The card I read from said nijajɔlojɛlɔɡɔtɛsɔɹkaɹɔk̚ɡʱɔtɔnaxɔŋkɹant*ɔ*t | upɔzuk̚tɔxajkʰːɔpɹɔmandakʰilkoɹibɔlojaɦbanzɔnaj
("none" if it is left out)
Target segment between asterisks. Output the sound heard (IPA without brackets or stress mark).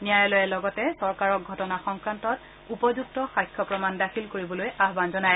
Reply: ɔ